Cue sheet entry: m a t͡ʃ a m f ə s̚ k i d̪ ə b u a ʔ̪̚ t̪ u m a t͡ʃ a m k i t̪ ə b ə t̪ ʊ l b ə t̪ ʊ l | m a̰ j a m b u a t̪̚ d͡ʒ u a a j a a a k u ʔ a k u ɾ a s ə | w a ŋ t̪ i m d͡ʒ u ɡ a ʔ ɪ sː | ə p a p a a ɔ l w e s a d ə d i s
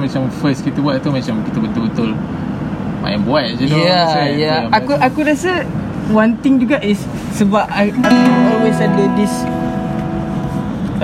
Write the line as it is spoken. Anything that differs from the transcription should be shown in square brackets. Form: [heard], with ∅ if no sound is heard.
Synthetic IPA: m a t͡ʃ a m f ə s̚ k i [t̪] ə b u a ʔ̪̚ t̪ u m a t͡ʃ a m k i t̪ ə b ə t̪ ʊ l b ə t̪ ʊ l | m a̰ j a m b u a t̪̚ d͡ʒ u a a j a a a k u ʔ a k u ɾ a s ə | w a [n] t̪ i [ŋ] d͡ʒ u ɡ a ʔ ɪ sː | ə [b] a p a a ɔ l w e s a d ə d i s